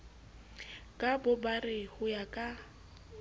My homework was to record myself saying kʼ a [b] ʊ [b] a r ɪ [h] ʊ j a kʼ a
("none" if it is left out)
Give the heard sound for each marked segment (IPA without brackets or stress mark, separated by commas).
b, b, h